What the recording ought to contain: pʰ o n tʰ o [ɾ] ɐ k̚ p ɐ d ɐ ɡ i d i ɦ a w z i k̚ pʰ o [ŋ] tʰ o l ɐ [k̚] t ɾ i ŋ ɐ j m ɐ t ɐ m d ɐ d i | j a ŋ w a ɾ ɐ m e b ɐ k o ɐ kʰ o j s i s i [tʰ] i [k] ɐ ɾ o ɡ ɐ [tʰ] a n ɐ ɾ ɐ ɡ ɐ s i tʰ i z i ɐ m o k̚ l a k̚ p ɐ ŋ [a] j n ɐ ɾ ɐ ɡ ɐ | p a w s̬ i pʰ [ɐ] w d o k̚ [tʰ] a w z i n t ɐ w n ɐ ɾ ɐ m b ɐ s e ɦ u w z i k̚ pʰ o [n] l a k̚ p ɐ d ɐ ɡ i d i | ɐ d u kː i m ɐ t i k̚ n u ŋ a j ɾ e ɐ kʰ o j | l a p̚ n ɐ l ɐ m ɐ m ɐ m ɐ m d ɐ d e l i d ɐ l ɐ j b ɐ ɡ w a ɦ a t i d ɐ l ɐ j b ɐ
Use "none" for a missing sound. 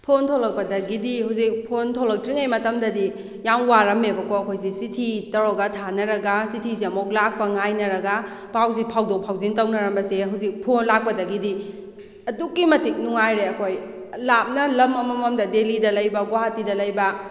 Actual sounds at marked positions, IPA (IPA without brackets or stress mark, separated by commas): l, n, k̚, tʰ, t, tʰ, a, a, pʰ, n